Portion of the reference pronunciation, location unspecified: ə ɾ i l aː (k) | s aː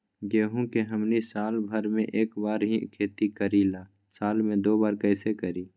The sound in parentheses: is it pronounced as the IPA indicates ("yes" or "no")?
no